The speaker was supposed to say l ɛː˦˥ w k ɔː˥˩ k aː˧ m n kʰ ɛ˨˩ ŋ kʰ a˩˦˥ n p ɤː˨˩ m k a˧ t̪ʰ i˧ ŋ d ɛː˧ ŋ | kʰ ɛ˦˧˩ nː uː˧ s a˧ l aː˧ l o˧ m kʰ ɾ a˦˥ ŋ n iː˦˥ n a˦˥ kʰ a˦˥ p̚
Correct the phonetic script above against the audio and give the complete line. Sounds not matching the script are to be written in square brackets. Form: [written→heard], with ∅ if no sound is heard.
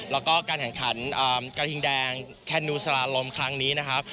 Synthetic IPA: l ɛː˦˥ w k ɔː˥˩ k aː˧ [m→∅] n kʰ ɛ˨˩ ŋ kʰ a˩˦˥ n [p→ʔ] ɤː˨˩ m k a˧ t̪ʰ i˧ ŋ d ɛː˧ ŋ | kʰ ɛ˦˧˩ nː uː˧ s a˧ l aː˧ l o˧ m kʰ ɾ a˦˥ ŋ n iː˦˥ n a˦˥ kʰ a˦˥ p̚